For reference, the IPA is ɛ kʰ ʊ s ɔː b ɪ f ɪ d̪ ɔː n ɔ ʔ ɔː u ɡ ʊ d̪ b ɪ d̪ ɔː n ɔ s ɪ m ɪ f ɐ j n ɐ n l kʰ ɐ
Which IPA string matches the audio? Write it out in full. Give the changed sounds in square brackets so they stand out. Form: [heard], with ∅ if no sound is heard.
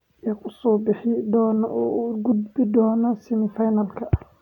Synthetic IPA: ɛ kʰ ʊ s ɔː b ɪ [ħ] ɪ d̪ ɔː n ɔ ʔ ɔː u ɡ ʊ d̪ b ɪ d̪ ɔː n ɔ s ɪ m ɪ f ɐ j n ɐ [∅] l kʰ ɐ